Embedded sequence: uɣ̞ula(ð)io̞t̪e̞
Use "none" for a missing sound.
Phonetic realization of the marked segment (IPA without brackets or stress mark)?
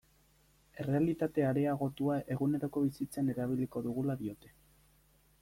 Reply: ð